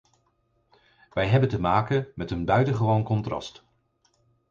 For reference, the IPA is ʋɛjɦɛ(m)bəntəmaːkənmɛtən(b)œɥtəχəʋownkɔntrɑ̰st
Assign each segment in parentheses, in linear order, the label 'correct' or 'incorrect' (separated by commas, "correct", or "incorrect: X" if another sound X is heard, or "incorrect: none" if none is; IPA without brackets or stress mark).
incorrect: none, correct